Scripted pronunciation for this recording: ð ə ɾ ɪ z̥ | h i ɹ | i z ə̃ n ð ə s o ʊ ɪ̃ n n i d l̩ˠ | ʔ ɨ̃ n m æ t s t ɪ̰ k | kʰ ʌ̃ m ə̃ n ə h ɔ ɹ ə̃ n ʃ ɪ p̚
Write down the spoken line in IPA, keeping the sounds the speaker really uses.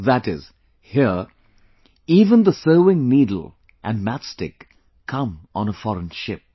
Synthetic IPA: ð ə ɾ ɪ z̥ | h i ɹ | i v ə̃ n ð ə s o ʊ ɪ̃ ŋ n i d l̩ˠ | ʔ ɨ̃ n m æ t s t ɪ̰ k | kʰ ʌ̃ m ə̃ n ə f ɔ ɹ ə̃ n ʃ ɪ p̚